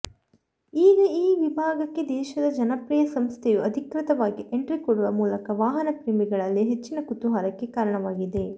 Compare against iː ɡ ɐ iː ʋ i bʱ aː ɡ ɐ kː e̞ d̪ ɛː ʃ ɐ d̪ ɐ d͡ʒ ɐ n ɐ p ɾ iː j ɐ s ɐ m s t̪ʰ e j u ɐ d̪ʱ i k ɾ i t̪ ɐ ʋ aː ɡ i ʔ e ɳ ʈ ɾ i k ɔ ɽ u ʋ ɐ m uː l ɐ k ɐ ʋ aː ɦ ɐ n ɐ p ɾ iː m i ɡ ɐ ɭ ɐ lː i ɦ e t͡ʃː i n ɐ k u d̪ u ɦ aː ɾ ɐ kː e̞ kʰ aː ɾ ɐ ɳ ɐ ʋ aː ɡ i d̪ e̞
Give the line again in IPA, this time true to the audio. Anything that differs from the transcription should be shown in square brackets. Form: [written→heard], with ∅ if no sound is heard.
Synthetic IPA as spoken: iː ɡ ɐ iː ʋ i bʱ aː ɡ ɐ kː e̞ d̪ ɛː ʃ ɐ d̪ ɐ d͡ʒ ɐ n ɐ p ɾ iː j ɐ s ɐ m s t̪ʰ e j u ɐ d̪ʱ i k ɾ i t̪ ɐ ʋ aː ɡ i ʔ e ɳ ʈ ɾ i k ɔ ɽ u ʋ ɐ m uː l ɐ k ɐ ʋ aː ɦ ɐ n ɐ p ɾ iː m i ɡ ɐ ɭ ɐ lː i ɦ e t͡ʃː i n ɐ k u [d̪→t̪] u ɦ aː ɾ ɐ kː e̞ [kʰ→k] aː ɾ ɐ ɳ ɐ ʋ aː ɡ i d̪ e̞

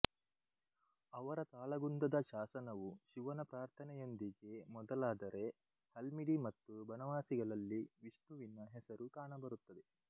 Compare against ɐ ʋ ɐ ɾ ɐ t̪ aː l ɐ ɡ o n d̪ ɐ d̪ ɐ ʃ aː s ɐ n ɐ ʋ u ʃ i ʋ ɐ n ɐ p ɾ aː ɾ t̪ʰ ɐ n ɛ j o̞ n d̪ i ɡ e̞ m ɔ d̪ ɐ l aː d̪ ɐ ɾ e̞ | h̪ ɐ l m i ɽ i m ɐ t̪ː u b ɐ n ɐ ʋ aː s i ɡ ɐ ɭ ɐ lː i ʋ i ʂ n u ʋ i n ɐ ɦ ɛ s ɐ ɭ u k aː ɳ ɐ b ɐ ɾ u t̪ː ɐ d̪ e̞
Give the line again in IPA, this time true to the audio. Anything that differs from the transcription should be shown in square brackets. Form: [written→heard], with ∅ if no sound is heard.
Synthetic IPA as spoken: ɐ ʋ ɐ ɾ ɐ t̪ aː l ɐ ɡ [o→u] n d̪ ɐ d̪ ɐ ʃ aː s ɐ n ɐ ʋ u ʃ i ʋ ɐ n ɐ p ɾ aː ɾ t̪ʰ ɐ n ɛ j o̞ n d̪ i ɡ e̞ m ɔ d̪ ɐ l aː d̪ ɐ ɾ e̞ | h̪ ɐ l m i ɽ i m ɐ t̪ː u b ɐ n ɐ ʋ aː s i ɡ ɐ ɭ ɐ lː i ʋ i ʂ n u ʋ i n ɐ ɦ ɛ s ɐ [ɭ→ɾ] u k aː ɳ ɐ b ɐ ɾ u t̪ː ɐ d̪ e̞

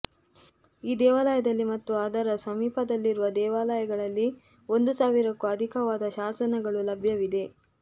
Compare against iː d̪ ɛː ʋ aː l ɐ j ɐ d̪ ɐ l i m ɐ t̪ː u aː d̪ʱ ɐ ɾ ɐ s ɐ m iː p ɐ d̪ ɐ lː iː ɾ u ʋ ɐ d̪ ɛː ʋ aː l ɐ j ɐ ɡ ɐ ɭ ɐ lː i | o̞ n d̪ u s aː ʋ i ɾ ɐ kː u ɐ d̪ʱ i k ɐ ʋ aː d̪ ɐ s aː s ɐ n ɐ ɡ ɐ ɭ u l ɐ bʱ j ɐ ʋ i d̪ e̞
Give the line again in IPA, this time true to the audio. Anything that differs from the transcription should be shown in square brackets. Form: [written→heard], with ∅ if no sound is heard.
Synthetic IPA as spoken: iː d̪ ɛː ʋ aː l ɐ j ɐ d̪ ɐ [l→lː] i m ɐ t̪ː u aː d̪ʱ ɐ ɾ ɐ s ɐ m iː p ɐ d̪ ɐ lː [iː→i] ɾ u ʋ ɐ d̪ ɛː ʋ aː l ɐ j ɐ ɡ ɐ ɭ ɐ lː i | o̞ n d̪ u s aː ʋ i ɾ ɐ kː u ɐ d̪ʱ i k ɐ ʋ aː d̪ ɐ [s→ʃ] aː s ɐ n ɐ ɡ ɐ ɭ u l ɐ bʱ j ɐ ʋ i d̪ e̞

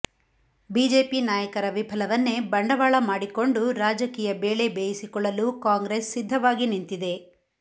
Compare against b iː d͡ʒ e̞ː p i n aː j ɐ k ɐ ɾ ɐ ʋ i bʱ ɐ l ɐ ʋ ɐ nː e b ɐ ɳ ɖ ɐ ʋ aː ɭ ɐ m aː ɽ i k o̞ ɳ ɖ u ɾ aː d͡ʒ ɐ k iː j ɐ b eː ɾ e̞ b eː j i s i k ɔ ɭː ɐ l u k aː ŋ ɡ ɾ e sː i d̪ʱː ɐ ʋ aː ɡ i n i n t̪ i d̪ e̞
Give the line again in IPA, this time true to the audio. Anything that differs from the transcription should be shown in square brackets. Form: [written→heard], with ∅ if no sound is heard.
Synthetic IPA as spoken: b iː d͡ʒ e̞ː p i n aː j ɐ k ɐ ɾ ɐ ʋ i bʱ ɐ l ɐ ʋ ɐ nː e b ɐ ɳ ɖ ɐ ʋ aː ɭ ɐ m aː ɽ i k o̞ ɳ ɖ u ɾ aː d͡ʒ ɐ k iː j ɐ b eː [ɾ→ɭ] e̞ b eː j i s i k ɔ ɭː ɐ l u k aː ŋ ɡ ɾ e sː i d̪ʱː ɐ ʋ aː ɡ i n i n t̪ i d̪ e̞

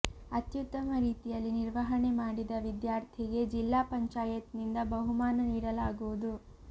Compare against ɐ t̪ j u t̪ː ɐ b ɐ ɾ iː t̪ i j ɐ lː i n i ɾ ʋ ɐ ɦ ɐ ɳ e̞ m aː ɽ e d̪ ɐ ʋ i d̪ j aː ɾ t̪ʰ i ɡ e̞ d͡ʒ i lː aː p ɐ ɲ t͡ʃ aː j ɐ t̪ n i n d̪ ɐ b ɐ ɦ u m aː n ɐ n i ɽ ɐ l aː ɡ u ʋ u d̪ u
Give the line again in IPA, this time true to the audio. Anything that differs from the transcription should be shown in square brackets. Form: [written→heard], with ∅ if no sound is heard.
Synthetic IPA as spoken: ɐ t̪ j u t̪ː ɐ [b→m] ɐ ɾ iː t̪ i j ɐ lː i n i ɾ ʋ ɐ ɦ ɐ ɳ e̞ m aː ɽ [e→i] d̪ ɐ ʋ i d̪ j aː ɾ t̪ʰ i ɡ e̞ d͡ʒ i lː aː p ɐ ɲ t͡ʃ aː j ɐ t̪ n i n d̪ ɐ b ɐ ɦ u m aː n ɐ n [i→iː] ɽ ɐ l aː ɡ u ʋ u d̪ u

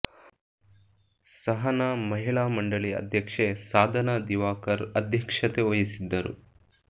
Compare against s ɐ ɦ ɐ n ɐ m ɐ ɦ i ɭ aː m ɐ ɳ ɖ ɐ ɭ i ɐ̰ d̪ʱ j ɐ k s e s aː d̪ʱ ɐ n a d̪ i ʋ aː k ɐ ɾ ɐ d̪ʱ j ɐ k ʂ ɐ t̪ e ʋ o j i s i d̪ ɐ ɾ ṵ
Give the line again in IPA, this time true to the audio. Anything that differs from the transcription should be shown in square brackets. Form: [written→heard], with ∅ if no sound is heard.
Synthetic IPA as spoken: s ɐ ɦ ɐ n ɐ m ɐ ɦ i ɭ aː m ɐ ɳ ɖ ɐ ɭ i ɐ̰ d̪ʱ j ɐ k [s→ʂ] e s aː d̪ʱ ɐ n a d̪ i ʋ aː k ɐ ɾ ɐ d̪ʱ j ɐ k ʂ ɐ t̪ e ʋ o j i s i [d̪→d̪ː] ɐ ɾ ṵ

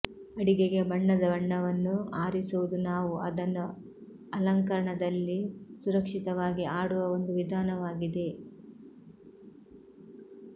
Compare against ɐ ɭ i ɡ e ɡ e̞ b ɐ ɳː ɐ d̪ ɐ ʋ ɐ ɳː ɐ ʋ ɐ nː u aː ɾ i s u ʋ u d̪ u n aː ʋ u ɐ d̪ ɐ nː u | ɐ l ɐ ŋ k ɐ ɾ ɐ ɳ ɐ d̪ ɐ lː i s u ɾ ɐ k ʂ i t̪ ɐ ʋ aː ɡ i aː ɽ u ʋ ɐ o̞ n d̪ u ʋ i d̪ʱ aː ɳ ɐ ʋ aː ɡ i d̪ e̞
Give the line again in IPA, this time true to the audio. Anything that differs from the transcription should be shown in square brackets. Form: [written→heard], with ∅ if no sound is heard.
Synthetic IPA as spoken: ɐ [ɭ→ɽ] i ɡ e ɡ e̞ b ɐ ɳː ɐ d̪ ɐ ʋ ɐ ɳː ɐ ʋ ɐ nː u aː ɾ i s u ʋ u d̪ u n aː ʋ u ɐ d̪ ɐ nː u | ɐ l ɐ ŋ k ɐ ɾ ɐ ɳ ɐ d̪ ɐ lː i s u ɾ ɐ k ʂ i t̪ ɐ ʋ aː ɡ i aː ɽ u ʋ ɐ o̞ n d̪ u ʋ i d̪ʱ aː [ɳ→n] ɐ ʋ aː ɡ i d̪ e̞

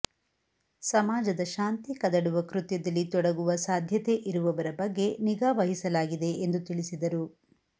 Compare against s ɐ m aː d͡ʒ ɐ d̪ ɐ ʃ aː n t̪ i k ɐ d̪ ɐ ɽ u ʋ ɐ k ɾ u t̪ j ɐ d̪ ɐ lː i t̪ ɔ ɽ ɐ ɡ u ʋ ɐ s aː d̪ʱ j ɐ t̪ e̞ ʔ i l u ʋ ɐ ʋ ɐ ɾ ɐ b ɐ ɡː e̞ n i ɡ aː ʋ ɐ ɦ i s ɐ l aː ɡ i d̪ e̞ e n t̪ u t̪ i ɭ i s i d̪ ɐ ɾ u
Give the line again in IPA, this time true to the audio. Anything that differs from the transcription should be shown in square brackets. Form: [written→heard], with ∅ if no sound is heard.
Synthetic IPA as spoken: s ɐ m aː d͡ʒ ɐ d̪ ɐ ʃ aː n t̪ i k ɐ d̪ ɐ ɽ u ʋ ɐ k ɾ u t̪ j ɐ d̪ ɐ lː i t̪ ɔ ɽ ɐ ɡ u ʋ ɐ s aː d̪ʱ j ɐ t̪ e̞ ʔ i [l→ɾ] u ʋ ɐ ʋ ɐ ɾ ɐ b ɐ ɡː e̞ n i ɡ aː ʋ ɐ ɦ i s ɐ l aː ɡ i d̪ e̞ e n [t̪→d̪] u t̪ i ɭ i s i d̪ ɐ ɾ u

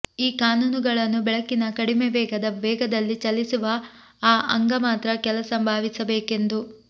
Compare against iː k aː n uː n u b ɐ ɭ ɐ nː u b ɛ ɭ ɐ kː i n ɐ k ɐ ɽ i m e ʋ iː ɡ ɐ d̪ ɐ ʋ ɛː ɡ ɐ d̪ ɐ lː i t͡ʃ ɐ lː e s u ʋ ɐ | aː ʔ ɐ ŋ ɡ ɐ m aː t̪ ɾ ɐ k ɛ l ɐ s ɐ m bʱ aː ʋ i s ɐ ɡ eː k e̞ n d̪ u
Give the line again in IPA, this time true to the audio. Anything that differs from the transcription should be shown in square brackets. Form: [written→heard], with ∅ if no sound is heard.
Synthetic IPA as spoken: iː k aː n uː n u [b→ɡ] ɐ ɭ ɐ nː u b ɛ ɭ ɐ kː i n ɐ k ɐ ɽ i m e ʋ [iː→ɛː] ɡ ɐ d̪ ɐ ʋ ɛː ɡ ɐ d̪ ɐ lː i t͡ʃ ɐ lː [e→i] s u ʋ ɐ | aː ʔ ɐ ŋ ɡ ɐ m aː t̪ ɾ ɐ k ɛ l ɐ s ɐ m bʱ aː ʋ i s ɐ [ɡ→b] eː k e̞ n d̪ u

